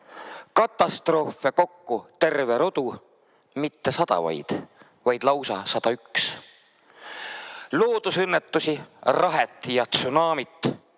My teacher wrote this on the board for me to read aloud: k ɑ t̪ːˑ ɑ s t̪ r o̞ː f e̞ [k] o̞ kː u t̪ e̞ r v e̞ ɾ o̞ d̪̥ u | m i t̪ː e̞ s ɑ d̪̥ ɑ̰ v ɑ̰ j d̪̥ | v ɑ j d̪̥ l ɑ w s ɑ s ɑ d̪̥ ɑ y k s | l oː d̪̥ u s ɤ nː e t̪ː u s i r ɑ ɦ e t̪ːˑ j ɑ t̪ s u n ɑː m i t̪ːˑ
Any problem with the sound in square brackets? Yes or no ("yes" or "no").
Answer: no